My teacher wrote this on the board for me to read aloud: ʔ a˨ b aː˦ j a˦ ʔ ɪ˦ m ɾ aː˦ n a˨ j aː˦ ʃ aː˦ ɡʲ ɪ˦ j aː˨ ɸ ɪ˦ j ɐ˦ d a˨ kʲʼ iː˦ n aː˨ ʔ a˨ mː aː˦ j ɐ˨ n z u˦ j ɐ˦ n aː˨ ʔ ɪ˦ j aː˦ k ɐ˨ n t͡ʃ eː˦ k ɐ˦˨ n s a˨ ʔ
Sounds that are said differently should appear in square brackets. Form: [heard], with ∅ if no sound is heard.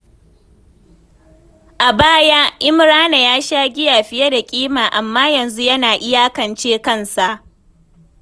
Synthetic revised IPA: ʔ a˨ b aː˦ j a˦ ʔ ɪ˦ m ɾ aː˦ n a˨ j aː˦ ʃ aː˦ ɡʲ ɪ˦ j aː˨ ɸ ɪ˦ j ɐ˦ d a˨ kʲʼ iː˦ [m] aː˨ ʔ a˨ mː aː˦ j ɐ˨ n z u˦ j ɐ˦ n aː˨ ʔ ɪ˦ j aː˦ k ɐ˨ n t͡ʃ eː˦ k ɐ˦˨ n s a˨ ʔ

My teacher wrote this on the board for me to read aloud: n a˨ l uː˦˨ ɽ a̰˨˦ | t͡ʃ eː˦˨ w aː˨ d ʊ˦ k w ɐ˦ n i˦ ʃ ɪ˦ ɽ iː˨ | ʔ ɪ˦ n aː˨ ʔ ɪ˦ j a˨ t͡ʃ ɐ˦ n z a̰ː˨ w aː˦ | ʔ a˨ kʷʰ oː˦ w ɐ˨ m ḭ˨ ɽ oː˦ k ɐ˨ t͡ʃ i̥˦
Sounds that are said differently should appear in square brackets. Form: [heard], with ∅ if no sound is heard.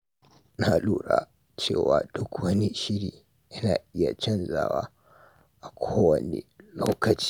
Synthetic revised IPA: n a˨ l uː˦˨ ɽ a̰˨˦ | t͡ʃ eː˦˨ w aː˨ d ʊ˦ k w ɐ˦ n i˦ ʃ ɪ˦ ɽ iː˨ | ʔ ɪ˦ n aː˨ ʔ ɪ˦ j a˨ t͡ʃ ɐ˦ n z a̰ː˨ w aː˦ | ʔ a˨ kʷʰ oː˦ w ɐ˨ [n] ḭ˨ [l] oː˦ k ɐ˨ t͡ʃ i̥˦

